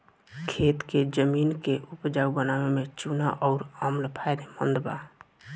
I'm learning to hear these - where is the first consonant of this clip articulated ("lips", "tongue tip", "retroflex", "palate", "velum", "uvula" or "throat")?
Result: velum